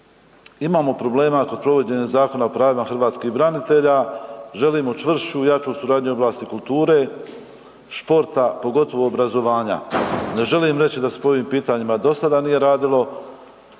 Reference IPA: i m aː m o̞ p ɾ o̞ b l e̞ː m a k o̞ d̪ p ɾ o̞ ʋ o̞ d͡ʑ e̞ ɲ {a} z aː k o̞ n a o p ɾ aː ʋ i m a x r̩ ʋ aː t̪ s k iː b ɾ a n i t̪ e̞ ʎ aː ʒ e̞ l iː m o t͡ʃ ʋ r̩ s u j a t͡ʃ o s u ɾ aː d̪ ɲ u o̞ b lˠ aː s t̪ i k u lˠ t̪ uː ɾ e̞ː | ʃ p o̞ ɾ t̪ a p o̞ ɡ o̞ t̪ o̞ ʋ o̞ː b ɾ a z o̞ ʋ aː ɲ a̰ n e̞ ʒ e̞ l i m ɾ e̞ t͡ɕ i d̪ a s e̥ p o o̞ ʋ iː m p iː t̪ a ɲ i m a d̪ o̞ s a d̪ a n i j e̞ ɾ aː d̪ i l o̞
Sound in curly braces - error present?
yes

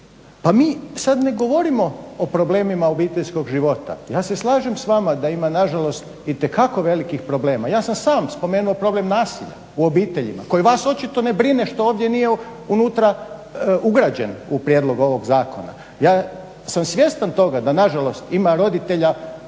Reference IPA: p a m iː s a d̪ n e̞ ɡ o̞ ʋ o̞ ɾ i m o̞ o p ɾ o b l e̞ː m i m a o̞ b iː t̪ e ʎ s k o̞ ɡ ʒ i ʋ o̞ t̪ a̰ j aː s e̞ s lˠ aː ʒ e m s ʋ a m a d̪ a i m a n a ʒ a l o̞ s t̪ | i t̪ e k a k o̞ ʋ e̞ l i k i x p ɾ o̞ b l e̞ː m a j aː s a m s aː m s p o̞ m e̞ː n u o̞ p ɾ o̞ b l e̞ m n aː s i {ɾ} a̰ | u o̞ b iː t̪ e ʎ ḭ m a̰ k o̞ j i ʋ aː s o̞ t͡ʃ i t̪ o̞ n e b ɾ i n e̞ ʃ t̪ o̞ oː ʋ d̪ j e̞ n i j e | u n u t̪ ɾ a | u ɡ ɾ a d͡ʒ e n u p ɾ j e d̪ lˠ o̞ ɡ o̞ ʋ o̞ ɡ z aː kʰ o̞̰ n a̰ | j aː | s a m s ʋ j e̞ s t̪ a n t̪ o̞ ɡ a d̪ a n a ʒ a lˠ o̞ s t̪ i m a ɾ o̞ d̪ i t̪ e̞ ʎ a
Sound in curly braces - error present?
yes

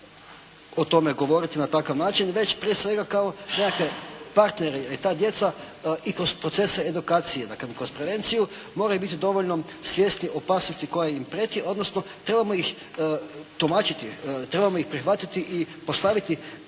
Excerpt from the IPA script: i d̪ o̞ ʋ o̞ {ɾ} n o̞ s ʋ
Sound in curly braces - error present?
yes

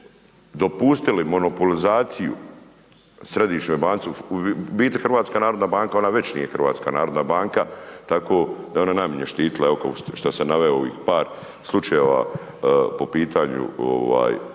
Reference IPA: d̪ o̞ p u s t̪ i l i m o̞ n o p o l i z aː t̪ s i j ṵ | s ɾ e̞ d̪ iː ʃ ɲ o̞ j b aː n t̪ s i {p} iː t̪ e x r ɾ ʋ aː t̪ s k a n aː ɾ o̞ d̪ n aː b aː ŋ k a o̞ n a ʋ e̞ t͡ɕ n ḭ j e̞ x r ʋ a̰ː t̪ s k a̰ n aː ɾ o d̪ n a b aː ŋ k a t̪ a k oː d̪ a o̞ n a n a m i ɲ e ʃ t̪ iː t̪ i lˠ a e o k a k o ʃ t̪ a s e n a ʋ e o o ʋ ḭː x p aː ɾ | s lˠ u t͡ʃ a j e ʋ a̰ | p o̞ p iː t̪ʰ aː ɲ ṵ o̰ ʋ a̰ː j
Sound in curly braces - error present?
yes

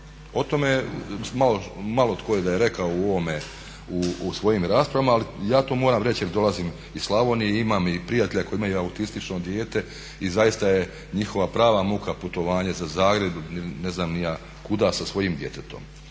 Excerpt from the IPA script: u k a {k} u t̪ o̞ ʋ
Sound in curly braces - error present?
yes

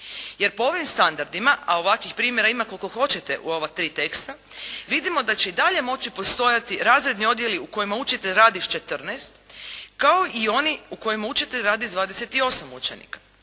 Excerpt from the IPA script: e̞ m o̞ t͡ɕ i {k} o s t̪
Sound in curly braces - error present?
yes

